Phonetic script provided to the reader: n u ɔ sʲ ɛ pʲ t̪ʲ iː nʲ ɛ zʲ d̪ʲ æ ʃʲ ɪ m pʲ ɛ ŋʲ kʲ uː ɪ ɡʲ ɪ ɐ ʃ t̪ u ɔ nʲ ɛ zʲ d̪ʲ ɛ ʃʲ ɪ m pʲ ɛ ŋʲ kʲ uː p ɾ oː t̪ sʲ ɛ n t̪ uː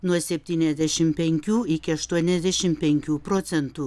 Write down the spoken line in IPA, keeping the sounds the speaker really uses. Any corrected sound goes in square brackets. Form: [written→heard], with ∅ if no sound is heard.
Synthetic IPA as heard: n u ɔ sʲ ɛ pʲ t̪ʲ iː nʲ ɛ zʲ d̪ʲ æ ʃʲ ɪ m pʲ ɛ ŋʲ kʲ uː ɪ [ɡʲ→kʲ] ɪ ɐ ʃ t̪ u ɔ nʲ ɛ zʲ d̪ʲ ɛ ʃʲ ɪ m pʲ ɛ ŋʲ kʲ uː p ɾ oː t̪ sʲ ɛ n t̪ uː